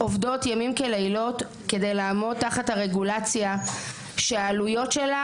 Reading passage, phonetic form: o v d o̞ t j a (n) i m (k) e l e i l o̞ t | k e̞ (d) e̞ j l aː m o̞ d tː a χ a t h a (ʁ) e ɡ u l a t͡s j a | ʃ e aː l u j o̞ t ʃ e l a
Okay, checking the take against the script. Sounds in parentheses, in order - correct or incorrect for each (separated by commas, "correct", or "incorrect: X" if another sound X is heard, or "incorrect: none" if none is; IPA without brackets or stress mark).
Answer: incorrect: m, correct, correct, correct